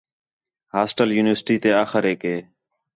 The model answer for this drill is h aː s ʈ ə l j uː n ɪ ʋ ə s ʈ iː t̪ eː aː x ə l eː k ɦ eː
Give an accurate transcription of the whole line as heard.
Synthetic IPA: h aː s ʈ ə l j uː n ɪ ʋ ə s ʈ iː t̪ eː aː x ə ɾ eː k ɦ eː